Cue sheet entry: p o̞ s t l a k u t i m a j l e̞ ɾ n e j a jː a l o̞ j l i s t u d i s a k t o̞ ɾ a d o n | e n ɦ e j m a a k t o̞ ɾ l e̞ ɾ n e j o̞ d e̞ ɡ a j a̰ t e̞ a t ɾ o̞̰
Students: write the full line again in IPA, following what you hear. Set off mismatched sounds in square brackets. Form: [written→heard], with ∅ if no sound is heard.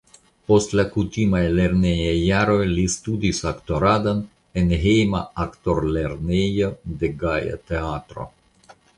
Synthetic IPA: p o̞ s t l a k u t i m a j l e̞ ɾ n e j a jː a [l→ɾ] o̞ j l i s t u d i s a k t o̞ ɾ a d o n | e n ɦ e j m a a k t o̞ ɾ l e̞ ɾ n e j o̞ d e̞ ɡ a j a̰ t e̞ a t ɾ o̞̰